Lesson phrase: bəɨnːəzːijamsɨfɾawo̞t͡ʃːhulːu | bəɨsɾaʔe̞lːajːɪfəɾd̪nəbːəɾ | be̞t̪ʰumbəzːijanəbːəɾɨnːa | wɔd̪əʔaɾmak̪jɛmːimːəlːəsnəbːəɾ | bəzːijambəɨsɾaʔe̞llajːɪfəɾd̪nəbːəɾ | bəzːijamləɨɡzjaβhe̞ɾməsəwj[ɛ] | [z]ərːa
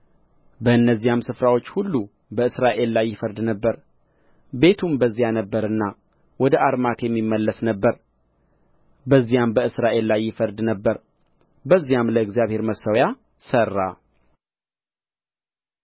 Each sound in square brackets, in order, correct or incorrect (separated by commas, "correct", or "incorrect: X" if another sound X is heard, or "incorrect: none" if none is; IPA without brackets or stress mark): incorrect: a, incorrect: s